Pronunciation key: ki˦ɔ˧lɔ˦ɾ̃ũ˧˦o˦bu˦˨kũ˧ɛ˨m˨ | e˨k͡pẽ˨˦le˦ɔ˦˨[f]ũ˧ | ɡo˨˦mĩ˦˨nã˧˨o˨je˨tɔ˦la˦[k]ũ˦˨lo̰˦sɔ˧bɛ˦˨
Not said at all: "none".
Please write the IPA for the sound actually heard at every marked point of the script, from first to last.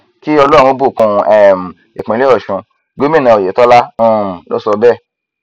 ʃ, none

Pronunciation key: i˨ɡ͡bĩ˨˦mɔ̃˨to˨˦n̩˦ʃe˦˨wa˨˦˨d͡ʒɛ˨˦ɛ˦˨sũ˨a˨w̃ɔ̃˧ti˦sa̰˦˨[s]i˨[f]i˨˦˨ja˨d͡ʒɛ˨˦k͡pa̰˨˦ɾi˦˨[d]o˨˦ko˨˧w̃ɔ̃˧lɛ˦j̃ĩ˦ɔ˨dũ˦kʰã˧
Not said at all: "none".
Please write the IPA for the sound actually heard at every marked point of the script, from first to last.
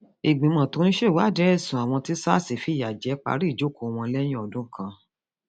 s, f, d͡ʒ

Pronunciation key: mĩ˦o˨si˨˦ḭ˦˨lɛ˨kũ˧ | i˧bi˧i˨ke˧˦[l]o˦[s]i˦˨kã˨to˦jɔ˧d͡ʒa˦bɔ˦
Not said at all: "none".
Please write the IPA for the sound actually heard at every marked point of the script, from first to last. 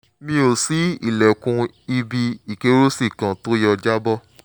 ɾ, s

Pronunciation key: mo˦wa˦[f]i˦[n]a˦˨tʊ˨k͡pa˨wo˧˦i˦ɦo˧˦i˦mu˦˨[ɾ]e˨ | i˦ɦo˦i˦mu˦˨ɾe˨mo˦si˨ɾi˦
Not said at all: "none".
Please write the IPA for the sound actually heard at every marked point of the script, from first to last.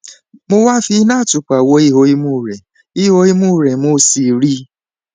f, n, ɾ

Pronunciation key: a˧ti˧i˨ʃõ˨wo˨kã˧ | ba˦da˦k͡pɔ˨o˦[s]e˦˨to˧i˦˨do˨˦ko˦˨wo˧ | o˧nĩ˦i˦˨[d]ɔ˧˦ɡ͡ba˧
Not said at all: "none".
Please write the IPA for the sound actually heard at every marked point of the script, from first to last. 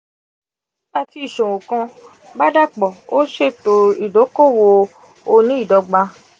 ʃ, d

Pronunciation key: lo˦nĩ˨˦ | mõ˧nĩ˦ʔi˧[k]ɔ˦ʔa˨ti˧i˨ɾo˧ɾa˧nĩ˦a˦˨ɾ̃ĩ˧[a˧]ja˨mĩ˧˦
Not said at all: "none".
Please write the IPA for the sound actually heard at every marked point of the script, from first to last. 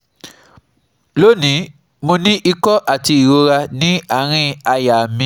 k, a˧

